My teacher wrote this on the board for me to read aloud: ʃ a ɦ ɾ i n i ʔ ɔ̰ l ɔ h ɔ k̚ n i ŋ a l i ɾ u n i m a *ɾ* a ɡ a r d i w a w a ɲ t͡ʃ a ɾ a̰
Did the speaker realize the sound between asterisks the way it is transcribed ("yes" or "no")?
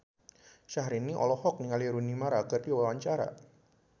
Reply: yes